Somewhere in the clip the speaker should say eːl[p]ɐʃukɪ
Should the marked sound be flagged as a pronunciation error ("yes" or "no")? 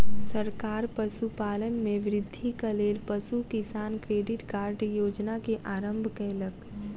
no